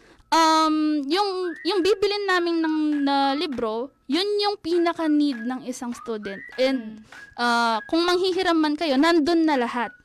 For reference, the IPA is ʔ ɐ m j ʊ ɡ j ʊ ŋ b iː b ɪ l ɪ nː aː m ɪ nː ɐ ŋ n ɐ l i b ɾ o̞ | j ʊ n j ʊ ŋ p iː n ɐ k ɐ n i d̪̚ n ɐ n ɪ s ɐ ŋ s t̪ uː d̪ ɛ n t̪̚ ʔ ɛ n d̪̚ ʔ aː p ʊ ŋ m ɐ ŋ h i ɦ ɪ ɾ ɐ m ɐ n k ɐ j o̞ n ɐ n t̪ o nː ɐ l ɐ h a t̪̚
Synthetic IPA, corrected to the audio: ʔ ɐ m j ʊ ŋ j ʊ ŋ b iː b ɪ l ɪ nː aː m ɪ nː ɐ ŋ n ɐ l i b ɾ o̞ | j ʊ n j ʊ ŋ p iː n ɐ k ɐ n i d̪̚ n ɐ ŋ ɪ s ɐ ŋ s t̪ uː d̪ ɛ n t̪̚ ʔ ɛ n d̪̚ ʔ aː k ʊ ŋ m ɐ ŋ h i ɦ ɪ ɾ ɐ m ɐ n k ɐ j o̞ n ɐ n d̪ o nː ɐ l ɐ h a t̪̚